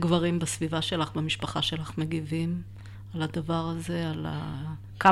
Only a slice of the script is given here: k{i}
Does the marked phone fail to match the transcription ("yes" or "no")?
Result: yes